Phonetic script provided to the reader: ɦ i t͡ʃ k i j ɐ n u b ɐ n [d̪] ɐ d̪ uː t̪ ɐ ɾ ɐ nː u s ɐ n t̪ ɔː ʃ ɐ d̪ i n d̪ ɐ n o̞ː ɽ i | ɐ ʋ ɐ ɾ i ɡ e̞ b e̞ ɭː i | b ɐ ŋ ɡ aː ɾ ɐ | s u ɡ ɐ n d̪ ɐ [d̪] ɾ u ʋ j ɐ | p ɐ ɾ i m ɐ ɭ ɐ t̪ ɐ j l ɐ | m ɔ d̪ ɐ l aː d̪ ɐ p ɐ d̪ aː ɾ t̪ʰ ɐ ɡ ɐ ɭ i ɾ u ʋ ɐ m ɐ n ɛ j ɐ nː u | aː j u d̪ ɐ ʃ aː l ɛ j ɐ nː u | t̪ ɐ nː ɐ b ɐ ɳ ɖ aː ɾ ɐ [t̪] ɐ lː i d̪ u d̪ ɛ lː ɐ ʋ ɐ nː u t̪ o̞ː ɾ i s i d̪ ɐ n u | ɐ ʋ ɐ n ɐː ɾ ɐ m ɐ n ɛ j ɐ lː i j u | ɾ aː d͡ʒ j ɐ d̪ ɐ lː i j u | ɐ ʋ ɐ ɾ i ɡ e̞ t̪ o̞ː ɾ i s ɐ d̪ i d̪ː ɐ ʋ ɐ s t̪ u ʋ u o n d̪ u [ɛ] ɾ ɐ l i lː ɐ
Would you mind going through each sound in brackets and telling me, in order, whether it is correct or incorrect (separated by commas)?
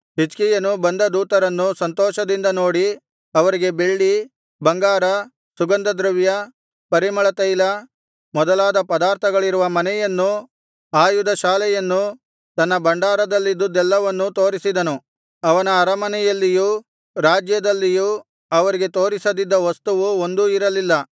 correct, correct, incorrect, incorrect